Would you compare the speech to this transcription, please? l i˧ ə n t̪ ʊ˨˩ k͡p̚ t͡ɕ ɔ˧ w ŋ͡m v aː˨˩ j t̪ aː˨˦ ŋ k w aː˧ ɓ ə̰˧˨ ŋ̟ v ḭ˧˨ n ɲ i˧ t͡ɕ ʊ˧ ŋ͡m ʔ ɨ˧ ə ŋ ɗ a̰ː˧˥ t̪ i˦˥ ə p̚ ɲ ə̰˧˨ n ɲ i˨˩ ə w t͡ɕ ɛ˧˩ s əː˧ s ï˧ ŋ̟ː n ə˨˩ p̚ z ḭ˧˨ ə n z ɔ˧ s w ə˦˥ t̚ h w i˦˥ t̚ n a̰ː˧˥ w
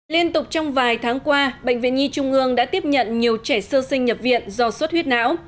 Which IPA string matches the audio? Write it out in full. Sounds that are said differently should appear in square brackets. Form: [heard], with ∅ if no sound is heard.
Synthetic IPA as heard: l i˧ ə n t̪ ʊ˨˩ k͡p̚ t͡ɕ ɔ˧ w ŋ͡m v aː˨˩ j [t̪ʰ] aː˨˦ ŋ k w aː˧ ɓ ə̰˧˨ ŋ̟ v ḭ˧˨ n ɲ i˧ t͡ɕ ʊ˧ ŋ͡m ʔ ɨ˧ ə ŋ ɗ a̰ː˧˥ t̪ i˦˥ ə p̚ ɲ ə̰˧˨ n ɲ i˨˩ ə w t͡ɕ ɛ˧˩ s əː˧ s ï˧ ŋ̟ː [ɲ] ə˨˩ p̚ [v] ḭ˧˨ ə n z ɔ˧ s w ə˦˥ t̚ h w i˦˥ t̚ n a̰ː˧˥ w